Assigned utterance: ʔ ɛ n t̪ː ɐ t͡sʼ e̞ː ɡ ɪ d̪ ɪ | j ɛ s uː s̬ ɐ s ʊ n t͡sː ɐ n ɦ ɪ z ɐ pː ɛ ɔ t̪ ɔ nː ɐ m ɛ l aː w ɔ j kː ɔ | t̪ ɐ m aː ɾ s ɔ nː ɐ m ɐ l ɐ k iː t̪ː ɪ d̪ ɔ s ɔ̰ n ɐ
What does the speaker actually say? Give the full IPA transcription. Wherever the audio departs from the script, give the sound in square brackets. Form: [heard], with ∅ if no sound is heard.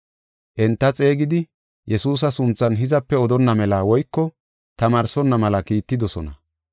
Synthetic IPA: ʔ ɛ n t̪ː ɐ t͡sʼ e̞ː ɡ ɪ d̪ ɪ | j ɛ s uː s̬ ɐ s ʊ n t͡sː ɐ n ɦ ɪ z ɐ pː ɛ ɔ [d̪] ɔ nː ɐ m ɛ l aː w ɔ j kː ɔ | t̪ ɐ m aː ɾ s ɔ nː ɐ m ɐ l ɐ k iː t̪ː ɪ d̪ ɔ s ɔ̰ n ɐ